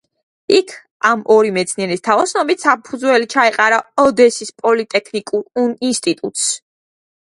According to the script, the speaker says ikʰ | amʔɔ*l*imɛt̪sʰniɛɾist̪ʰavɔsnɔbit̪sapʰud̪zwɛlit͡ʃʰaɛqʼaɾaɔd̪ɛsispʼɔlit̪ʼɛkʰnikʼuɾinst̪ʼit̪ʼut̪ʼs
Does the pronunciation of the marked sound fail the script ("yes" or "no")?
yes